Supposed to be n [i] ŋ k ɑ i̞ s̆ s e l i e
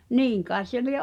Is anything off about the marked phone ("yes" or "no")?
yes